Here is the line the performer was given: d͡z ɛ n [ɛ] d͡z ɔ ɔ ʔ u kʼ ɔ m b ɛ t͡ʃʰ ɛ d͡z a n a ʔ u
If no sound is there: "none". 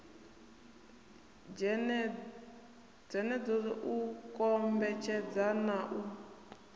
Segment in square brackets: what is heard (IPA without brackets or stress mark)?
ɛ